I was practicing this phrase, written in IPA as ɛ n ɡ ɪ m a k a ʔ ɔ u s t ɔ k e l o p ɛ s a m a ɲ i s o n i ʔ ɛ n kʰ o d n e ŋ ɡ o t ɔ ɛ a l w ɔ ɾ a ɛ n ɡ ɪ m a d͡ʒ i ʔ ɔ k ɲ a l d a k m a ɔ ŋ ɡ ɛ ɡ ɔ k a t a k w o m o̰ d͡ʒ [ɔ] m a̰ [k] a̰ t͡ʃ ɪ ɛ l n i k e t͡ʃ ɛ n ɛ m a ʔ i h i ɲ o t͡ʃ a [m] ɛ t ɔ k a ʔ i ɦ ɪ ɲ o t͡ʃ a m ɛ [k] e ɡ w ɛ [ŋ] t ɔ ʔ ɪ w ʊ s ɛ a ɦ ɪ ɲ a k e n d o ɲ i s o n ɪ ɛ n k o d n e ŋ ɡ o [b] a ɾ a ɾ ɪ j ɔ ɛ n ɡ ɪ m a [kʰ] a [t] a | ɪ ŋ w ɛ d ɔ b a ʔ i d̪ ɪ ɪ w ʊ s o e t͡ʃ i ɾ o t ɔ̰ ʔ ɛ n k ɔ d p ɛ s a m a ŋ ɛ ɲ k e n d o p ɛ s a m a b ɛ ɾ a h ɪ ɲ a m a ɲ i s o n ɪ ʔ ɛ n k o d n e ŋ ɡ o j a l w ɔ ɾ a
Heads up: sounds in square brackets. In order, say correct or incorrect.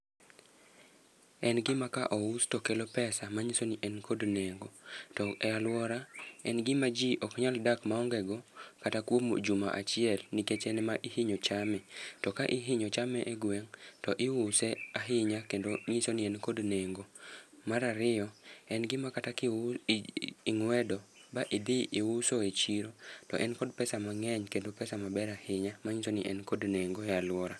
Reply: incorrect, incorrect, correct, incorrect, correct, incorrect, incorrect, correct

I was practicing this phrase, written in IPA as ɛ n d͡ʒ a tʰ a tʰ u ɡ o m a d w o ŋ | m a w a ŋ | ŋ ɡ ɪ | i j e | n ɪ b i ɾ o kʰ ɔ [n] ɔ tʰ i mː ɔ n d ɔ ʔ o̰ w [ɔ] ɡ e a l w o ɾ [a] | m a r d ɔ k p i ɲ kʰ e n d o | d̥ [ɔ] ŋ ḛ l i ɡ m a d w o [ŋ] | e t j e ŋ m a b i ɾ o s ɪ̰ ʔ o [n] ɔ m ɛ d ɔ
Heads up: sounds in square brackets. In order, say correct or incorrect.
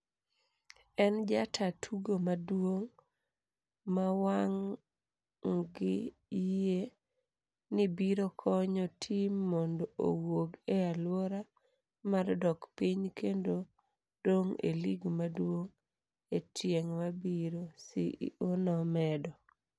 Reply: incorrect, incorrect, correct, incorrect, correct, correct

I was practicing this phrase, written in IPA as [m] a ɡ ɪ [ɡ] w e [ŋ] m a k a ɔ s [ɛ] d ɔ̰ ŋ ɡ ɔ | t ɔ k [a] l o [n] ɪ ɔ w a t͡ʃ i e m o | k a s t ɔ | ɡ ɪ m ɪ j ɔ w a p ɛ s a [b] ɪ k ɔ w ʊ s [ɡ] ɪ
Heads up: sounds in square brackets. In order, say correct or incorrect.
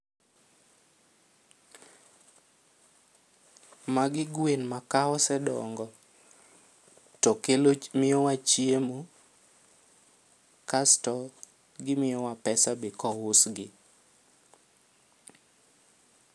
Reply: correct, correct, incorrect, correct, incorrect, incorrect, correct, correct

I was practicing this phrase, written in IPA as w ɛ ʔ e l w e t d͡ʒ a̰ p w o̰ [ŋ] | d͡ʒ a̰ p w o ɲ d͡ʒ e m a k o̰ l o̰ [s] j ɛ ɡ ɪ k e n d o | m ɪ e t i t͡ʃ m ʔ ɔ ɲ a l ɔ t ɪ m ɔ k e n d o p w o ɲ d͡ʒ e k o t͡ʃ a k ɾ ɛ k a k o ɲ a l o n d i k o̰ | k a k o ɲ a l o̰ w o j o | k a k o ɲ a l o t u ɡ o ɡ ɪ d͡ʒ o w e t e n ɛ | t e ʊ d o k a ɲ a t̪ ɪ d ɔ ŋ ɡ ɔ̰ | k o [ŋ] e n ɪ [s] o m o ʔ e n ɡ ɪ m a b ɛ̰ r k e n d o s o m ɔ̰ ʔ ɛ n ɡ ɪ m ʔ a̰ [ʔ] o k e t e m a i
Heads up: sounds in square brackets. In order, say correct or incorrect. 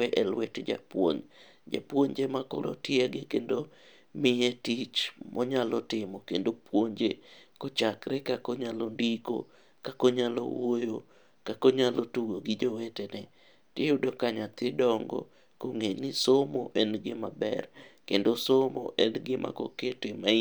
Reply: incorrect, incorrect, correct, correct, incorrect

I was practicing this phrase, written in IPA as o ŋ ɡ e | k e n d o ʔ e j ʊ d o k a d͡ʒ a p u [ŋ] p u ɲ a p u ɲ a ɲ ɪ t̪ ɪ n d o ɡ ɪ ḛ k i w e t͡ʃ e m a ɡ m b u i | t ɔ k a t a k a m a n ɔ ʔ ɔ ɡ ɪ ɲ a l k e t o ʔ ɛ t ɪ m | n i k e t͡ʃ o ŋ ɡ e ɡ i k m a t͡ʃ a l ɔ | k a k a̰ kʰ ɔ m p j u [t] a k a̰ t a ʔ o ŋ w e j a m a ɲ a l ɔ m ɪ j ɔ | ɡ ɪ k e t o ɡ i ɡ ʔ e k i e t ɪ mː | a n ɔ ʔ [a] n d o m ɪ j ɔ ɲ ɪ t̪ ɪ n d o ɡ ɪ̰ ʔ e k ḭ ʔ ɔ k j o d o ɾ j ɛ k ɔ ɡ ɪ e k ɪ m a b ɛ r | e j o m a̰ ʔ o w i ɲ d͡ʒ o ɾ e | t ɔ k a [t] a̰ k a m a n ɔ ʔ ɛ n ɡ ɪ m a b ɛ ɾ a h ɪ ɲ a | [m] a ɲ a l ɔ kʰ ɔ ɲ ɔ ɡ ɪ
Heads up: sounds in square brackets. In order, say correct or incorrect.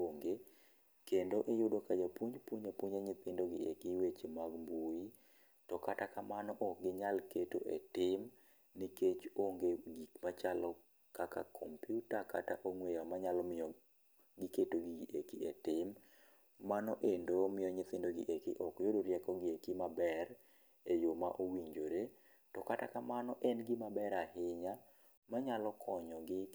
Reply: incorrect, correct, incorrect, correct, correct

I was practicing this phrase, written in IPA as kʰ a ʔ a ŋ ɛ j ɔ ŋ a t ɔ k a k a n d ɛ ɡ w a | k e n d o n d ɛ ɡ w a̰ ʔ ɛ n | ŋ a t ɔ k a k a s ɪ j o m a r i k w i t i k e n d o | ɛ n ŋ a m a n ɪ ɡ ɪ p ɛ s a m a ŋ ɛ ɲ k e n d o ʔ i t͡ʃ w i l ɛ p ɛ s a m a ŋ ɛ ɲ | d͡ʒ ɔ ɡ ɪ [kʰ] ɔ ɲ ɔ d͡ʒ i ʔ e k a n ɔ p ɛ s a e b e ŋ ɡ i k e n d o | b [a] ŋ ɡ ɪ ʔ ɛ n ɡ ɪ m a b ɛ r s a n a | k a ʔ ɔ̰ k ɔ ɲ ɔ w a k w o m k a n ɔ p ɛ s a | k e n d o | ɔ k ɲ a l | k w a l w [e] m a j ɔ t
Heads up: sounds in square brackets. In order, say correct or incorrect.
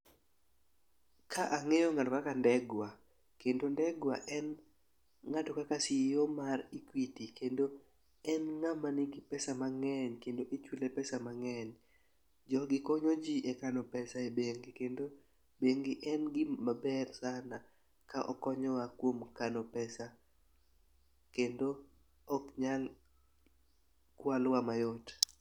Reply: incorrect, incorrect, incorrect

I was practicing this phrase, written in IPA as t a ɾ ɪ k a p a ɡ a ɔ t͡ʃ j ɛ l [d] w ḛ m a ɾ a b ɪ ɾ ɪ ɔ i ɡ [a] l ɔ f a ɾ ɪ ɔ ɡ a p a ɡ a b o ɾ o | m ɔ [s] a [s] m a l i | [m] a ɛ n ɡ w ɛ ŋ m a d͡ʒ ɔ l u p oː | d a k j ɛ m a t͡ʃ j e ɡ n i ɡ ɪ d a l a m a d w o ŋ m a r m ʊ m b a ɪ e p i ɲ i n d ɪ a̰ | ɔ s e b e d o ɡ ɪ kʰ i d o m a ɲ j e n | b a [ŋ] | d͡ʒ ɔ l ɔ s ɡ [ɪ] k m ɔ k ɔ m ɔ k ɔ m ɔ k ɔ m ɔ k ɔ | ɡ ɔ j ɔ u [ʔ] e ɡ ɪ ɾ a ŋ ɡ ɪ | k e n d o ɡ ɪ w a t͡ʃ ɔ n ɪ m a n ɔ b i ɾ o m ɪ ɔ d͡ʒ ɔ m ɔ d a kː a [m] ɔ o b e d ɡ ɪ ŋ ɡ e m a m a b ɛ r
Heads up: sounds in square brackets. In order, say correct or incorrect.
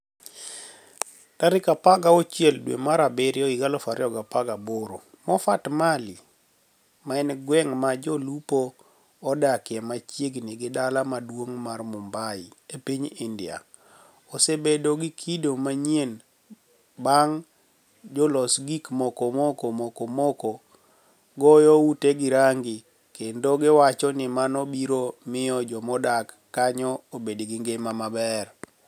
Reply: correct, correct, incorrect, incorrect, correct, correct, incorrect, incorrect, incorrect

